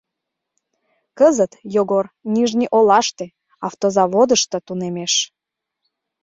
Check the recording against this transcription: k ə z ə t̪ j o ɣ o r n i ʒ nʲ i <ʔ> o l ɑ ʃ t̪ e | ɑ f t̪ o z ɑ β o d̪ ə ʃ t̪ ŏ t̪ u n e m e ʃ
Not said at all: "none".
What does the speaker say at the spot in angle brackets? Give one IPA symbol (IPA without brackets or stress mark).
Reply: ʔ